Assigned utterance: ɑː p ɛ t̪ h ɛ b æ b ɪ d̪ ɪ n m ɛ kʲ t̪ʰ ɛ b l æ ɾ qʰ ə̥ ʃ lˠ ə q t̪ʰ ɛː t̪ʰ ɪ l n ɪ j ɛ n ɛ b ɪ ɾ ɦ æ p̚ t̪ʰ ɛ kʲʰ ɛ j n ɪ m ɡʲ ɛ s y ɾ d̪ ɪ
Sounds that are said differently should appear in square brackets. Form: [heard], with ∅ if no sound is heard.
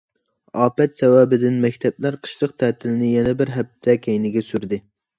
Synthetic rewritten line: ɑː p ɛ t̪ [s] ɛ [w] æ b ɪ d̪ ɪ n m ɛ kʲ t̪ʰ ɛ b l æ ɾ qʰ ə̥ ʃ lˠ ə q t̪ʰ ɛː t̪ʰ ɪ l n ɪ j ɛ n ɛ b ɪ ɾ ɦ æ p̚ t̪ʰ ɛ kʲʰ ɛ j n ɪ [∅] ɡʲ ɛ s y ɾ d̪ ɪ